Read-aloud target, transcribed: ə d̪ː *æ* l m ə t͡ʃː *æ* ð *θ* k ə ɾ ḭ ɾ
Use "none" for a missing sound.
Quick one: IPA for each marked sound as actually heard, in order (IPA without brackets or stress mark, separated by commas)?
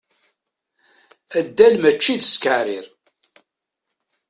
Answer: æ, i, s